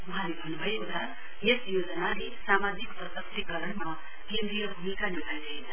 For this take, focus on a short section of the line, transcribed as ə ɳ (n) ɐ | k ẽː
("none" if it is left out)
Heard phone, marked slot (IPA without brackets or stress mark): m